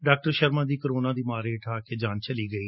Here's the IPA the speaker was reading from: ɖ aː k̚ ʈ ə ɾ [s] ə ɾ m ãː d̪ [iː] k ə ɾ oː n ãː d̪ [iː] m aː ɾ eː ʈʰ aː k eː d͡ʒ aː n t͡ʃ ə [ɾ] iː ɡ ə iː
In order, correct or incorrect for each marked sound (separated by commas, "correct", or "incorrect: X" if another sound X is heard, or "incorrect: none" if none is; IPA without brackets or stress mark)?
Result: incorrect: ʃ, correct, correct, incorrect: l